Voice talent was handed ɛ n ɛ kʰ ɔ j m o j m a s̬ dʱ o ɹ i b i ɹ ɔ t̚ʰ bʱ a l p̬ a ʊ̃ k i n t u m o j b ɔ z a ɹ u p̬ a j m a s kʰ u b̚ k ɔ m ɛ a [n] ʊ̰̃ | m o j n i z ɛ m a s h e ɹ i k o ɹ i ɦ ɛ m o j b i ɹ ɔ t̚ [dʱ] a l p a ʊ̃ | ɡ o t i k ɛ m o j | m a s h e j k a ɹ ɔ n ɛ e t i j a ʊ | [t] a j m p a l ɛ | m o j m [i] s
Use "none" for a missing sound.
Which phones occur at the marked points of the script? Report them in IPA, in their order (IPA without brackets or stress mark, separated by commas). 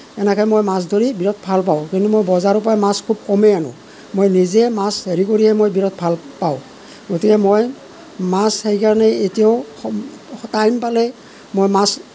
n, bʱ, t, a